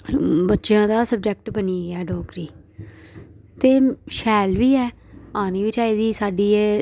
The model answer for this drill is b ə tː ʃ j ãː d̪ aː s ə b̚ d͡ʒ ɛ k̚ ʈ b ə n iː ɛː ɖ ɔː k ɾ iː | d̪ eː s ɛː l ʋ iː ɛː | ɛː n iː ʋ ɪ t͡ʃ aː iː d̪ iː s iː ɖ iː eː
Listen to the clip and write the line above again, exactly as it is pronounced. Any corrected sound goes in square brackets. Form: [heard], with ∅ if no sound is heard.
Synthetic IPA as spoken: b ə tː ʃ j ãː d̪ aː s ə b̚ d͡ʒ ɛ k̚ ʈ b ə n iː ɛː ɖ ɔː k ɾ iː | [t̪] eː [ʃ] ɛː l ʋ iː ɛː | [aː] n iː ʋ ɪ t͡ʃ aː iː d̪ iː s [aː] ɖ iː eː

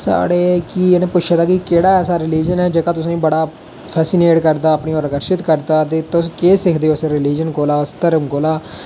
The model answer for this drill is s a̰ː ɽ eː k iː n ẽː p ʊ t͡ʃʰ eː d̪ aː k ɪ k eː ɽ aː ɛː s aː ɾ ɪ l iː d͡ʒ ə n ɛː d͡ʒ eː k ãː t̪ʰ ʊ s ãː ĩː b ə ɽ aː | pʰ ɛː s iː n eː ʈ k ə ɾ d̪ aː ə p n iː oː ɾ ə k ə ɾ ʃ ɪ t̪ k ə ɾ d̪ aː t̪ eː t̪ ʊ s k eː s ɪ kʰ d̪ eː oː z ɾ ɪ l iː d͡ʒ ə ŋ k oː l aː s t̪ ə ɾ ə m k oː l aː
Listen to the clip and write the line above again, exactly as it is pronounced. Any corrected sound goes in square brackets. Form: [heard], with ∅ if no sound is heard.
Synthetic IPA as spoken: s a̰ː ɽ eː k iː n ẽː p ʊ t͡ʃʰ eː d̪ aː k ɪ k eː ɽ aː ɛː s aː ɾ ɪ l iː d͡ʒ ə n ɛː d͡ʒ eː k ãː [t̪] ʊ s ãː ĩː b ə ɽ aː | pʰ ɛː s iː n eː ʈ k ə ɾ d̪ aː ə p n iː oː ɾ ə k ə ɾ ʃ ɪ t̪ k ə ɾ d̪ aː t̪ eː t̪ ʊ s k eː s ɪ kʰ d̪ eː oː [s] ɾ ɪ l iː d͡ʒ ə [n] k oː l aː s t̪ ə ɾ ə m k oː l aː

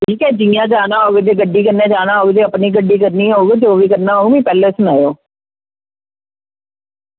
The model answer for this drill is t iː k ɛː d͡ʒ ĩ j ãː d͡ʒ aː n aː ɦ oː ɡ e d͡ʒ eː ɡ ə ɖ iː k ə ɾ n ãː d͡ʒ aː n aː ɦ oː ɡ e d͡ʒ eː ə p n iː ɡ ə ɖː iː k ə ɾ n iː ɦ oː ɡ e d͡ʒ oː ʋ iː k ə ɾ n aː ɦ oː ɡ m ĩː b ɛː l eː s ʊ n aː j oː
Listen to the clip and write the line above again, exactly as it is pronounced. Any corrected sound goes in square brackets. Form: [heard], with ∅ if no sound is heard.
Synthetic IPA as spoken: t iː k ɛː d͡ʒ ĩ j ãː d͡ʒ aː n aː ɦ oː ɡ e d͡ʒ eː ɡ ə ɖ iː k ə ɾ n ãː d͡ʒ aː n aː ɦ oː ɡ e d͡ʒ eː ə p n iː ɡ ə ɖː iː k ə ɾ n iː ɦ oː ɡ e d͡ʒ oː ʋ iː k ə ɾ n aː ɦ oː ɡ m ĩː [p] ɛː l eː s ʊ n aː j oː

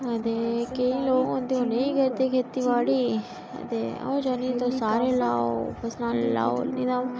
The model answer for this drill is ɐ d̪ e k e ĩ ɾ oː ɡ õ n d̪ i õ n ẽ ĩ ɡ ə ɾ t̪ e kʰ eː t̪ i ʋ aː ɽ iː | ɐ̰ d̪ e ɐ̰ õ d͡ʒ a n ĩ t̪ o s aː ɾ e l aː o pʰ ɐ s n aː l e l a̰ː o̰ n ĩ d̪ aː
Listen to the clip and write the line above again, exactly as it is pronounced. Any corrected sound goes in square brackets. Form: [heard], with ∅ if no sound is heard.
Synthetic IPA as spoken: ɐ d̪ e k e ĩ [l] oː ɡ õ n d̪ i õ n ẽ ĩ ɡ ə ɾ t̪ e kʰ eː t̪ i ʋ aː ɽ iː | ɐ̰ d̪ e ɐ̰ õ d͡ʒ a n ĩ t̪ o s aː ɾ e l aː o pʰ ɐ s n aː l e l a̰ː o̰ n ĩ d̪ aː

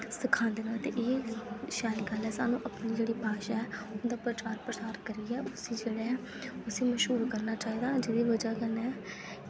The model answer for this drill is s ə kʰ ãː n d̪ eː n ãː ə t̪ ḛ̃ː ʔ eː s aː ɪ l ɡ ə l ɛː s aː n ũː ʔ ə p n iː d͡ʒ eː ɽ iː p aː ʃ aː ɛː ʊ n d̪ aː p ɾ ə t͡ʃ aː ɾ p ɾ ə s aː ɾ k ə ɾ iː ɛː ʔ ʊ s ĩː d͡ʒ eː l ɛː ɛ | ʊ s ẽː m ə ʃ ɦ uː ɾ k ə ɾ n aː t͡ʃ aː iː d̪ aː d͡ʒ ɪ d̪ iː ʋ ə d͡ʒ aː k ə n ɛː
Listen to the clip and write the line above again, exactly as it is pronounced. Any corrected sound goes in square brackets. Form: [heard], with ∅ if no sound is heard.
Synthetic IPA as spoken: s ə kʰ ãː n d̪ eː n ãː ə t̪ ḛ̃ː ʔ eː [ʃ] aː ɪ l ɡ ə l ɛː s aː n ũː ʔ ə p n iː d͡ʒ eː ɽ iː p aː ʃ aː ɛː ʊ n d̪ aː p ɾ ə t͡ʃ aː ɾ p ɾ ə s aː ɾ k ə ɾ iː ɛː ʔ ʊ s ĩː d͡ʒ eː [ɽ] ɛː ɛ | ʊ s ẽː m ə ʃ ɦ uː ɾ k ə ɾ n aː t͡ʃ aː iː d̪ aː d͡ʒ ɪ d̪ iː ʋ ə d͡ʒ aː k ə n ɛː

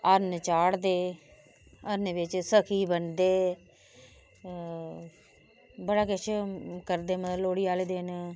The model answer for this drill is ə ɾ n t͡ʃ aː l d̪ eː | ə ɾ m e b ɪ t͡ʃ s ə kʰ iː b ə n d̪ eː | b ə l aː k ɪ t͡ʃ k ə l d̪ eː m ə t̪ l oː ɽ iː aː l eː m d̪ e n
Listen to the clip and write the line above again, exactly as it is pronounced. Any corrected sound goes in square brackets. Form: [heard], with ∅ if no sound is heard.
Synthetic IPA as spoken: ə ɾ n t͡ʃ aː [ɽ] d̪ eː | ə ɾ [n] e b ɪ t͡ʃ s ə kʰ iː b ə n d̪ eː | b ə [ɽ] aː k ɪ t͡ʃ k ə [ɾ] d̪ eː m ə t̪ l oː ɽ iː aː l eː [∅] d̪ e n

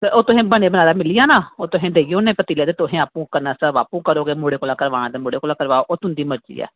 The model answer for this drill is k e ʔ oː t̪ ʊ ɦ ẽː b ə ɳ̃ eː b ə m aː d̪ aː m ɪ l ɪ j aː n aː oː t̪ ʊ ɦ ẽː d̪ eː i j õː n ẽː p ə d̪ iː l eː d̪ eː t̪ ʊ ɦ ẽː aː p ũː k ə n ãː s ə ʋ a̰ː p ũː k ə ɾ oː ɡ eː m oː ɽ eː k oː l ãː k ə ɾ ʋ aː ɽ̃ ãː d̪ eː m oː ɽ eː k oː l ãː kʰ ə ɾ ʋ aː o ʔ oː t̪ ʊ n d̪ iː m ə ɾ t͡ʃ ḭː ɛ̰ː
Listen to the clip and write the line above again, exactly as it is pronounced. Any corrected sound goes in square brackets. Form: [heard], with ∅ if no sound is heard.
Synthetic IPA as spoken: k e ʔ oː t̪ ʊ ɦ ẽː b ə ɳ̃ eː b ə [n] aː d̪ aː m ɪ l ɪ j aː n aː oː t̪ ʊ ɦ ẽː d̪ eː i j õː n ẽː p ə [t̪] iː l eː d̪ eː t̪ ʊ ɦ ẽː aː p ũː k ə n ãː s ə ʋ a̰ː p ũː k ə ɾ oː ɡ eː m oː ɽ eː k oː l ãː k ə ɾ ʋ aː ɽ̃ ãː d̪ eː m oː ɽ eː k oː l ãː [k] ə ɾ ʋ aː o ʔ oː t̪ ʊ n d̪ iː m ə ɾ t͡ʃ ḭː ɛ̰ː

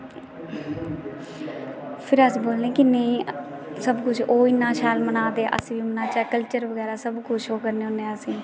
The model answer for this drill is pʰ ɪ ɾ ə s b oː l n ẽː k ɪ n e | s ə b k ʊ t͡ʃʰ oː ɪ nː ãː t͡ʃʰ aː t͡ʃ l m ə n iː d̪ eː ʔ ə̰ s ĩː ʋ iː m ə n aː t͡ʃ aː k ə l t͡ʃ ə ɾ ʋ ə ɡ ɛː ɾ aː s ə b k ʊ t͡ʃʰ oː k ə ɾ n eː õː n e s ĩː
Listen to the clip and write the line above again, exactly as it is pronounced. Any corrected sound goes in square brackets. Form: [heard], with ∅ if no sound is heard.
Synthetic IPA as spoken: pʰ ɪ ɾ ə s b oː l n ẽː k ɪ n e | s ə b k ʊ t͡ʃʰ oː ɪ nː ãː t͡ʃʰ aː [∅] l m ə n [aː] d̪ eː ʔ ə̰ s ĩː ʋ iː m ə n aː t͡ʃ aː k ə l t͡ʃ ə ɾ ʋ ə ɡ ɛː ɾ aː s ə b k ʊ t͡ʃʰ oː k ə ɾ n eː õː n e s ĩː

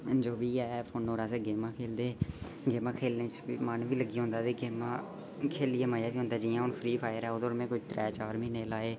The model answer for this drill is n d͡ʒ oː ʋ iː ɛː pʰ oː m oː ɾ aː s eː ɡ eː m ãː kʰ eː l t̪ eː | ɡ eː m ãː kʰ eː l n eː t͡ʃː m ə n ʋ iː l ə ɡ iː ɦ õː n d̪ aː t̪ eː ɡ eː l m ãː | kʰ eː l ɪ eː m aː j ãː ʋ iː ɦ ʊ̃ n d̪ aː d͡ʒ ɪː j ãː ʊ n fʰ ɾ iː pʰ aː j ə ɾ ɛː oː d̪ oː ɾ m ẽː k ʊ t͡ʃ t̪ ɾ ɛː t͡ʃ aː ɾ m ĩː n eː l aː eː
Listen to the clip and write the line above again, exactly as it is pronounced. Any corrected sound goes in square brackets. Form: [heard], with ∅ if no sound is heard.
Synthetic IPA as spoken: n d͡ʒ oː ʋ iː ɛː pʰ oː [n] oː ɾ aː s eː ɡ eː m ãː kʰ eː l [d̪] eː | ɡ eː m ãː kʰ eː l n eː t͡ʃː m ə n ʋ iː l ə ɡ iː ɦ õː n d̪ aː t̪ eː ɡ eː [∅] m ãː | kʰ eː l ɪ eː m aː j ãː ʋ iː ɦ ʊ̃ n d̪ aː d͡ʒ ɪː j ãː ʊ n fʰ ɾ iː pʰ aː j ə ɾ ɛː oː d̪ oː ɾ m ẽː k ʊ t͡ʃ t̪ ɾ ɛː t͡ʃ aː ɾ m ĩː n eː l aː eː

